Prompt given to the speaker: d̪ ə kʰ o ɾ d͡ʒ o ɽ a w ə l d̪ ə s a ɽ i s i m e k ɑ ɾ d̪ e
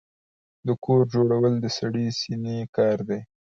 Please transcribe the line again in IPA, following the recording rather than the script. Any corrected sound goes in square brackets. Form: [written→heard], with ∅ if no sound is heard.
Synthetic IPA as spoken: d̪ ə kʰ o ɾ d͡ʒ o ɽ a w ə l d̪ ə s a ɽ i s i [m→n] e k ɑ ɾ d̪ e